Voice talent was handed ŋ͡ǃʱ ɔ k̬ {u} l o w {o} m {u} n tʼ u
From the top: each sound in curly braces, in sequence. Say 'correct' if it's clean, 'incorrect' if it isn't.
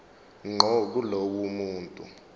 correct, incorrect: u, incorrect: uː

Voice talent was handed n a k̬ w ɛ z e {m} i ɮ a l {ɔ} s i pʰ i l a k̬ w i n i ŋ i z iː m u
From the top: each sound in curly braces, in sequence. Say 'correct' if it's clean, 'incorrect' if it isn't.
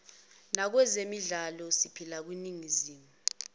correct, correct

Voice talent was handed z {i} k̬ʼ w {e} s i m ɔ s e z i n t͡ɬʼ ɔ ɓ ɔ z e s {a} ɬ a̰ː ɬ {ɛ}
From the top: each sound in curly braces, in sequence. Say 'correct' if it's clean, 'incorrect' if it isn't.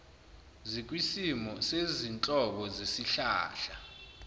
correct, incorrect: i, incorrect: i, incorrect: a

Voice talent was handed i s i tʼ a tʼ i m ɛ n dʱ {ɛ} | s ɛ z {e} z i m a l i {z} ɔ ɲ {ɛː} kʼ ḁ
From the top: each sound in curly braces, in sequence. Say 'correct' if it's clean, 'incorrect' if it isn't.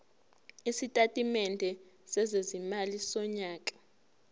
correct, correct, incorrect: s, incorrect: aː

